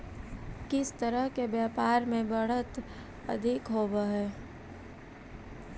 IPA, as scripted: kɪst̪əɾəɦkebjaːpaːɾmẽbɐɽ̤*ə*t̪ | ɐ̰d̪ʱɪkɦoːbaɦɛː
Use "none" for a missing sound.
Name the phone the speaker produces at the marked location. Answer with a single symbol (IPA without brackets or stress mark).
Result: ə